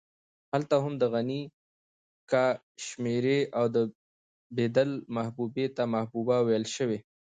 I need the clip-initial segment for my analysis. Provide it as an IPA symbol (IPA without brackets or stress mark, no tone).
h